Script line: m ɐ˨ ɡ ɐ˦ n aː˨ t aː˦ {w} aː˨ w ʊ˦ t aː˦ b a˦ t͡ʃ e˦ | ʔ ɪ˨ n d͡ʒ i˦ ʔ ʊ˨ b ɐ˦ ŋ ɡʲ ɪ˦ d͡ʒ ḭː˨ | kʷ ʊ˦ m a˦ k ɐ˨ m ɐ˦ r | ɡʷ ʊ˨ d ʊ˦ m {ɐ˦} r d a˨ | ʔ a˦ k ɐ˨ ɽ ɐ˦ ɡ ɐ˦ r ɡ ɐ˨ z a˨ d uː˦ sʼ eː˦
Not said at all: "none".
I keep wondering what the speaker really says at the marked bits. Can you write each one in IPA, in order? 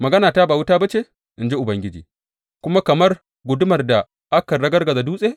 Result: b, ɐ˨

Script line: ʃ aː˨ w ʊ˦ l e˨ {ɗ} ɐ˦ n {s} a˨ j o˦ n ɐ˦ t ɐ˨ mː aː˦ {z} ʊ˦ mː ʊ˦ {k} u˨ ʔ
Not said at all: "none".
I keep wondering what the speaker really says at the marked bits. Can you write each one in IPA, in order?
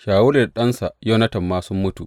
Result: ɗ, s, s, t

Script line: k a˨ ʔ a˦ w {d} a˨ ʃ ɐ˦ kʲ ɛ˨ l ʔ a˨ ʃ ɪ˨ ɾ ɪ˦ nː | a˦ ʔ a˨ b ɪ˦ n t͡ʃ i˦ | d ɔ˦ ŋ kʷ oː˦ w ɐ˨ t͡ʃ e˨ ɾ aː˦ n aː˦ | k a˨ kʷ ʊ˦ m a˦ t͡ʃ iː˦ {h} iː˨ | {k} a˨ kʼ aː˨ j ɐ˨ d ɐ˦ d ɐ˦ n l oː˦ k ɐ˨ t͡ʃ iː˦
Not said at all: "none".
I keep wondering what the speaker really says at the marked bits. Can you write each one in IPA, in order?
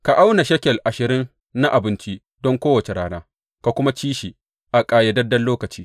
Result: n, ʃ, ʔ

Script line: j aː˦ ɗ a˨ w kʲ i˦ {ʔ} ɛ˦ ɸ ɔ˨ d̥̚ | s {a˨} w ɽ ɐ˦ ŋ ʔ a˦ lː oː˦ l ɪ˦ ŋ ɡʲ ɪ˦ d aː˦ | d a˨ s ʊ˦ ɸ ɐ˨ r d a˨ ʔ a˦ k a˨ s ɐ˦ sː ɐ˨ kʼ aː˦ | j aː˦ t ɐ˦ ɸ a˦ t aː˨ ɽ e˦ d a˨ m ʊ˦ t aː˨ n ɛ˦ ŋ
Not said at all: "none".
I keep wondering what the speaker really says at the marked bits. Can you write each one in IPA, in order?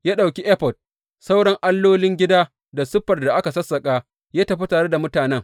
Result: ʔ, a˦

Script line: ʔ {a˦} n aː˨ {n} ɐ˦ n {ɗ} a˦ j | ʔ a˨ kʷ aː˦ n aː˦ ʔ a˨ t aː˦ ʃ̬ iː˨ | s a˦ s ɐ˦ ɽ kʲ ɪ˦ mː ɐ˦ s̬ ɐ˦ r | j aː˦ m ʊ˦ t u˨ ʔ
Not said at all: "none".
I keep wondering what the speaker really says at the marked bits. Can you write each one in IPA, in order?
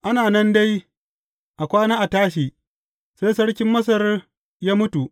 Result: a˦, n, d

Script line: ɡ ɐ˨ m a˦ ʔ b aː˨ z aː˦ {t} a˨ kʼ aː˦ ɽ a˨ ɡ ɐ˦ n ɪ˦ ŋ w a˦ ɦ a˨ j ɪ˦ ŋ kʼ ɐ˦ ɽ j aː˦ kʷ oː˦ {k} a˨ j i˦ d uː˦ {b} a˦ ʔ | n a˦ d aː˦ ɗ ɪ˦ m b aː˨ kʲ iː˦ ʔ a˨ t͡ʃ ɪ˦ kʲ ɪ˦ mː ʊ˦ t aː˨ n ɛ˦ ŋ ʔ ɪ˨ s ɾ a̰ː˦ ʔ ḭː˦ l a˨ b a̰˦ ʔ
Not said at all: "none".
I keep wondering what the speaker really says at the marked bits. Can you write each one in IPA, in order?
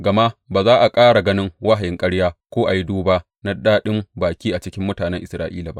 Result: ʔ, ʔ, b

